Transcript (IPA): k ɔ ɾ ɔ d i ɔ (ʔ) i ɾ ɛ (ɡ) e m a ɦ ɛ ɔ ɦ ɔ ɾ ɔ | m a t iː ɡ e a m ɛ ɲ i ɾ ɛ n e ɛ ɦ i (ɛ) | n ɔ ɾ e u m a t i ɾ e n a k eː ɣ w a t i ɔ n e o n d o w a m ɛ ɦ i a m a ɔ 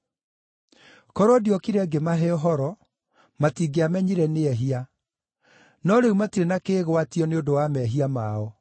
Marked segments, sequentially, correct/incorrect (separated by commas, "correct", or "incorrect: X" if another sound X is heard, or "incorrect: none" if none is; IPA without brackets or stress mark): incorrect: k, correct, incorrect: a